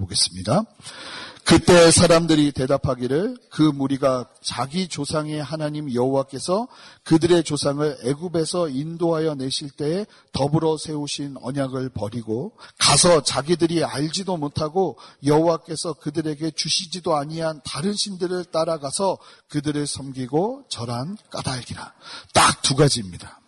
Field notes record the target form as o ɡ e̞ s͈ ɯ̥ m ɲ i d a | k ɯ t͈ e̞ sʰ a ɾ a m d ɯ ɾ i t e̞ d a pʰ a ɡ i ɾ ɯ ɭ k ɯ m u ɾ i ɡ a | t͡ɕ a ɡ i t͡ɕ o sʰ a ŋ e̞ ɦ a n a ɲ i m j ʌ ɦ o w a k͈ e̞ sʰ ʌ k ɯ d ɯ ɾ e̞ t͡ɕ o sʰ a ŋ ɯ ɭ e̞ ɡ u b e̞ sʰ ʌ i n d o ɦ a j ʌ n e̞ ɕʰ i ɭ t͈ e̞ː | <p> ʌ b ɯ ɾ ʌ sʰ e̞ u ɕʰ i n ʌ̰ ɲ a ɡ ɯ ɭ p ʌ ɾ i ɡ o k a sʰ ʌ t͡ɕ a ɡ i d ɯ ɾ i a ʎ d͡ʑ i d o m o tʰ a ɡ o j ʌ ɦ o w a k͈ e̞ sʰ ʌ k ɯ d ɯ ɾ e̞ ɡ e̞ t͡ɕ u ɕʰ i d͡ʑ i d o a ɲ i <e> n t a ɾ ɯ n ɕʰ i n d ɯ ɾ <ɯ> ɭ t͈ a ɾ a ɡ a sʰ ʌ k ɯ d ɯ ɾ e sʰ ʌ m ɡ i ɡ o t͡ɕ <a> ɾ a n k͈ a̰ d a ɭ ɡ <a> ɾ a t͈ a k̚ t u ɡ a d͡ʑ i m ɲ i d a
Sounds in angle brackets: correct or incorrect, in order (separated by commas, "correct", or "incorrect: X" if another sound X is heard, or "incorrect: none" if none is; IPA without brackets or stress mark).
incorrect: t, incorrect: a, correct, incorrect: ʌ, incorrect: i